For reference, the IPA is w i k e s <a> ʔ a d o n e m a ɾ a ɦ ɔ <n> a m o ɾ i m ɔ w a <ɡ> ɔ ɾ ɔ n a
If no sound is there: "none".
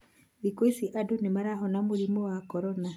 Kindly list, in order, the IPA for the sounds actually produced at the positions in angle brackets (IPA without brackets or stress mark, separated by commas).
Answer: i, n, k